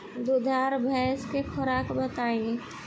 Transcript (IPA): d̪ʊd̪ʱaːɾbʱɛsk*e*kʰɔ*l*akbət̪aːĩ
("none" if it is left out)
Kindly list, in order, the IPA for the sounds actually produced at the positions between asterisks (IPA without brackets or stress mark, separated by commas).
e, ɾ